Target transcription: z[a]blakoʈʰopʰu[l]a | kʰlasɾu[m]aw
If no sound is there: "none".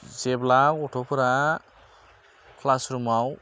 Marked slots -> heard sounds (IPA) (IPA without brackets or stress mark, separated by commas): e, ɾ, m